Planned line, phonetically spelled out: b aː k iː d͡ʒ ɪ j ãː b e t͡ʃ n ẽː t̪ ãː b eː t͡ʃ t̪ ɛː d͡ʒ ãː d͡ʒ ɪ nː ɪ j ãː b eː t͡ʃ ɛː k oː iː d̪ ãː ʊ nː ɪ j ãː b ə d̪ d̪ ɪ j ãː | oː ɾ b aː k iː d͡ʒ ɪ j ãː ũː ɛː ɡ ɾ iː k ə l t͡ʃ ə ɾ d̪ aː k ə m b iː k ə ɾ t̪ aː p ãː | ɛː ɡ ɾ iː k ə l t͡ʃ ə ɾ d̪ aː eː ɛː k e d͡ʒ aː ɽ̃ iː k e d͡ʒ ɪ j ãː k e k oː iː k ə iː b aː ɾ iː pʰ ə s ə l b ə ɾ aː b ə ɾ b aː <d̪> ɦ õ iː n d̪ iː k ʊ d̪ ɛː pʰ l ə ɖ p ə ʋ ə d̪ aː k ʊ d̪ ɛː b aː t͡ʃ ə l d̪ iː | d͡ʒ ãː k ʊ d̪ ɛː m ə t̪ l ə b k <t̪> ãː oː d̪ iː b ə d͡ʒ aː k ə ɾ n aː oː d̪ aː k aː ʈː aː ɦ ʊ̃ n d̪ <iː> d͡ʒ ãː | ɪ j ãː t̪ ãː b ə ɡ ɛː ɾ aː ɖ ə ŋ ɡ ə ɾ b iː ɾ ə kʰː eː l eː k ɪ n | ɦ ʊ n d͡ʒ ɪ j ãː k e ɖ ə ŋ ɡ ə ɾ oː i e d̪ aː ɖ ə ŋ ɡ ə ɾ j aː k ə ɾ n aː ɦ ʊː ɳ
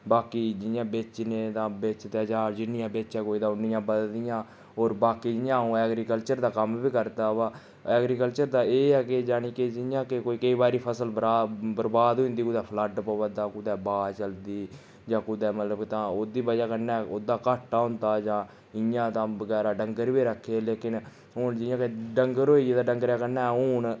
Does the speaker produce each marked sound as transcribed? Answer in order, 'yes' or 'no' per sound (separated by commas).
yes, yes, no